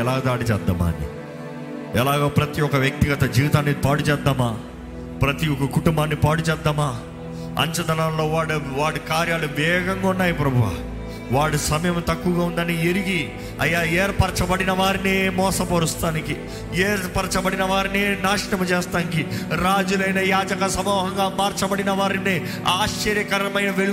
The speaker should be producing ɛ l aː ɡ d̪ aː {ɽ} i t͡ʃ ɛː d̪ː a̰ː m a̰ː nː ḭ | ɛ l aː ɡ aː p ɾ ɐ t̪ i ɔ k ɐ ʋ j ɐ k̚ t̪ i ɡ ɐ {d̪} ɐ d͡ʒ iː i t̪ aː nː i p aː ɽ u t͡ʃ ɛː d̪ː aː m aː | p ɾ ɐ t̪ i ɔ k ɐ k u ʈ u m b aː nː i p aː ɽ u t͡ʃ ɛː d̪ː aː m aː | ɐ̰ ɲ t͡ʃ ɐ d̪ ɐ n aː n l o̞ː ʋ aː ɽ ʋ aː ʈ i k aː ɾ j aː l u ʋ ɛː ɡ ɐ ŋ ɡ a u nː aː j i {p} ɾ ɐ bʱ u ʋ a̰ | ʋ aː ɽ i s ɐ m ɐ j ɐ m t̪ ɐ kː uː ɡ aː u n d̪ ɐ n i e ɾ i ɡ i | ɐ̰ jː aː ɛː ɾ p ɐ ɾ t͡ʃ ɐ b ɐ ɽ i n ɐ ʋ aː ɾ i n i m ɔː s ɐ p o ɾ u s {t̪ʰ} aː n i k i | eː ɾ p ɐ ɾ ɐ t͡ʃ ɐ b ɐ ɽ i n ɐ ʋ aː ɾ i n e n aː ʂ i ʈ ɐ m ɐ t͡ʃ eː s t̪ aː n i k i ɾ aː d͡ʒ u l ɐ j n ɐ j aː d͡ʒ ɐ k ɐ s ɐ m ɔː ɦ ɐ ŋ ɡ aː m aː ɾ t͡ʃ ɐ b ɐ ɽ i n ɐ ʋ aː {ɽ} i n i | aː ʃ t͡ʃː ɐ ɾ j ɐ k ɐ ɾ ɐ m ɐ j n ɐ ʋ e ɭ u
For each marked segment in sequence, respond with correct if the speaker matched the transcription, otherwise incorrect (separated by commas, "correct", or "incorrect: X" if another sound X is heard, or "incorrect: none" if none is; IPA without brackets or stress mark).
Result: correct, incorrect: t̪, correct, incorrect: t̪, incorrect: ɾ